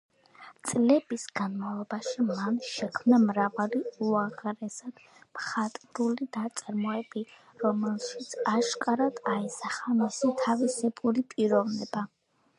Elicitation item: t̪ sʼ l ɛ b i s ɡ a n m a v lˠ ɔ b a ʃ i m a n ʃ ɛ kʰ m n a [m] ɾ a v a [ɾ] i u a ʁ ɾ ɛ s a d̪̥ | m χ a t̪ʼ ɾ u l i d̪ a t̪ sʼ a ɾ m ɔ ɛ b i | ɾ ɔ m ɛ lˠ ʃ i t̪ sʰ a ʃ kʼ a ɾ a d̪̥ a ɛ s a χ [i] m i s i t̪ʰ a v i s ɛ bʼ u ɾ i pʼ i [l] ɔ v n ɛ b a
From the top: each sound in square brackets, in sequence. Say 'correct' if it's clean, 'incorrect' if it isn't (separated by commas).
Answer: correct, incorrect, incorrect, incorrect